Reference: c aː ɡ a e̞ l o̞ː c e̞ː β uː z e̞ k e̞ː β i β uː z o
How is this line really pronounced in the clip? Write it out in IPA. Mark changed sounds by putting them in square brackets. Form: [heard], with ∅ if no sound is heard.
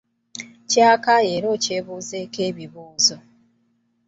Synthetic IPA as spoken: c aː [k] a e̞ [ɾ] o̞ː c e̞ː β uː z e̞ k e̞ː β i β uː z o